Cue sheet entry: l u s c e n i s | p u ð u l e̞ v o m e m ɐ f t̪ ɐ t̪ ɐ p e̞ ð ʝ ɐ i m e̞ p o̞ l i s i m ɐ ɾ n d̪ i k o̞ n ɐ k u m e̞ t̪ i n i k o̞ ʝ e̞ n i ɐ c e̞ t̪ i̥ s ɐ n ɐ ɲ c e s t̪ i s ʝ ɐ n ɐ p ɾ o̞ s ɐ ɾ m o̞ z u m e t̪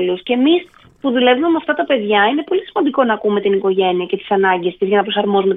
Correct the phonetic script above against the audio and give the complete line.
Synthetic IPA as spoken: l u s c e m i s | p u ð u l e̞ v u m e m ɐ f t̪ ɐ t̪ ɐ p e̞ ð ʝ ɐ i n e̞ p o̞ l i s i m ɐ n d̪ i k o̞ n ɐ k u m e̞ t̪ i n i k o̞ ʝ e̞ n i ɐ c e̞ t̪ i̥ s ɐ n ɐ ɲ ɟ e s t̪ i z ʝ ɐ n ɐ p ɾ o̞ s ɐ ɾ m o̞ z u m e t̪